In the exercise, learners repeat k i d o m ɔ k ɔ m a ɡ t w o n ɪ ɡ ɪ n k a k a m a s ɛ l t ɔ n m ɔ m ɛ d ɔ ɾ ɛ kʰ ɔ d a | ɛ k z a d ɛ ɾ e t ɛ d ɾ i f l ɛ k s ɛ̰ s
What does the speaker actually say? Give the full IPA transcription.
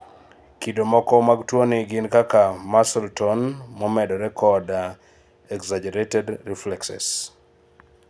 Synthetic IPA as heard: k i d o m ɔ k ɔ m a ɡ t w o n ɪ ɡ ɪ n k a k a m a s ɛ l t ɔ n m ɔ m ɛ d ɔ ɾ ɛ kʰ ɔ d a | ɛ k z a d͡ʒ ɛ ɾ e t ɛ d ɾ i f l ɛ k s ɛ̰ s